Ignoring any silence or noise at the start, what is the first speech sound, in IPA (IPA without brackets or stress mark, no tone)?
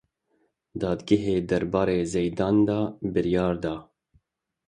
d̪